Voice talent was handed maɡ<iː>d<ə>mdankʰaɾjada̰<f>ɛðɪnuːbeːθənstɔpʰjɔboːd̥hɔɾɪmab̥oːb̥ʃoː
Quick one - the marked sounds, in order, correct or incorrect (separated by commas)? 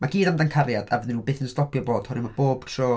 correct, incorrect, incorrect